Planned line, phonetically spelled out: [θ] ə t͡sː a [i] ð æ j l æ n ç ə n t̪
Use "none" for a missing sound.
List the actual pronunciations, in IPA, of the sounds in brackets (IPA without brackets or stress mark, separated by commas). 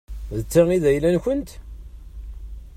ð, i